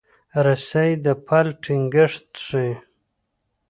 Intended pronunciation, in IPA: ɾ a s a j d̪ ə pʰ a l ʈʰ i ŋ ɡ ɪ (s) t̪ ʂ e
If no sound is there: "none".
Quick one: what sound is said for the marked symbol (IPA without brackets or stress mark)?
ʂ